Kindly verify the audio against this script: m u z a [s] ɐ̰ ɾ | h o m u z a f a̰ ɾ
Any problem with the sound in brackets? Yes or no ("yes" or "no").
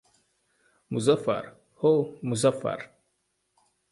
yes